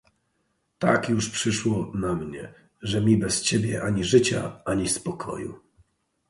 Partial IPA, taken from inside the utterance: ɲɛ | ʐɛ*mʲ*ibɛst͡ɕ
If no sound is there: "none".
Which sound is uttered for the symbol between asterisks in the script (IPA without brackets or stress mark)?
mʲ